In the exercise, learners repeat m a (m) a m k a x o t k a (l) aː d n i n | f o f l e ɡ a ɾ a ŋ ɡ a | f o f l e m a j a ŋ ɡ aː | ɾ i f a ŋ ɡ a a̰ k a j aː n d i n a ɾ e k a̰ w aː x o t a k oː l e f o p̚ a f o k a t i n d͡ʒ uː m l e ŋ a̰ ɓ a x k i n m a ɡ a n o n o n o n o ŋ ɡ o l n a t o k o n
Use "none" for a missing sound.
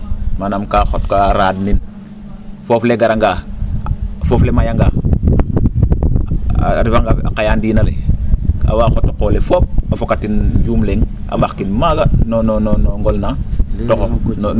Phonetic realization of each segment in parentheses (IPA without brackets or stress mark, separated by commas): n, ɾ